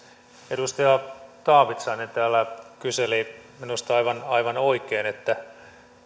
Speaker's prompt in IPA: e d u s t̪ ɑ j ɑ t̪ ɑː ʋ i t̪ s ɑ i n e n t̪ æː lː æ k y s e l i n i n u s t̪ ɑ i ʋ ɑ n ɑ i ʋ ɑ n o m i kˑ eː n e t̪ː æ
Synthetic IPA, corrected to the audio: e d u s t̪ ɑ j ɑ t̪ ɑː ʋ i t̪ s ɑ i n e n t̪ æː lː æ k y s e l i m i n u s t̪ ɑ i ʋ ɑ n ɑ i ʋ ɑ n o i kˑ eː n e t̪ː æ